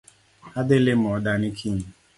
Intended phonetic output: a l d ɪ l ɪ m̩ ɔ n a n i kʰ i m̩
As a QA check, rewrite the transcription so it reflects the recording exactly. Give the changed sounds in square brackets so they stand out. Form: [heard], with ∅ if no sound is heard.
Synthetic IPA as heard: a [∅] d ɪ l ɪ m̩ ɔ [d] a n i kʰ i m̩